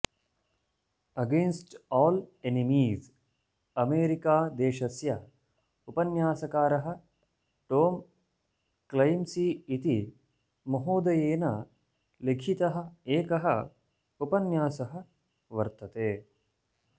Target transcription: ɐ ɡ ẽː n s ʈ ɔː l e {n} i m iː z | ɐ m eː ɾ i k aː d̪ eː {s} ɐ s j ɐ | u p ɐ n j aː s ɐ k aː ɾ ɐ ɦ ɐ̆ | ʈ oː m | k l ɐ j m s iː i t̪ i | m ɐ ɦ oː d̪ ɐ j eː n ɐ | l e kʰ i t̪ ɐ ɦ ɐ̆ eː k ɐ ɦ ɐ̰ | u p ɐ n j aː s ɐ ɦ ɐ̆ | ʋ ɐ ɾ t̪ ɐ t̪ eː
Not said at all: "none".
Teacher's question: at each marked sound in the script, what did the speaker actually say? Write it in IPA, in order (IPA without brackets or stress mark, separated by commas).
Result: n, ʃ